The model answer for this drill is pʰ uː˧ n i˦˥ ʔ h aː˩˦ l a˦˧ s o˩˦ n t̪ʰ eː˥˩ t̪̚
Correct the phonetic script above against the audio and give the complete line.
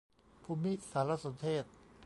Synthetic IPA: pʰ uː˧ m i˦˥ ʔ s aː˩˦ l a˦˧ s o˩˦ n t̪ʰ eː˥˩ t̪̚